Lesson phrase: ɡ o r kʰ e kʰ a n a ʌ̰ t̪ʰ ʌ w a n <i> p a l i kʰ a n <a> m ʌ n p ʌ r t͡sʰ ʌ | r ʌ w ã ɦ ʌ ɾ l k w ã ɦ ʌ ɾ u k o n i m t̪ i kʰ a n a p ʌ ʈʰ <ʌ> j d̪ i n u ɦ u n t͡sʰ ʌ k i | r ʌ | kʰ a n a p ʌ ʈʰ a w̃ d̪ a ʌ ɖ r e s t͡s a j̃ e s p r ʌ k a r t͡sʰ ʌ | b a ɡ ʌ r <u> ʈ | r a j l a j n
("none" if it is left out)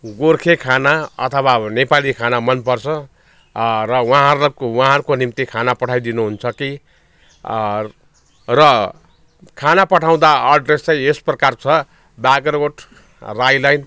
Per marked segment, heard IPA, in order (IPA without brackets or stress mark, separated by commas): e, a, a, o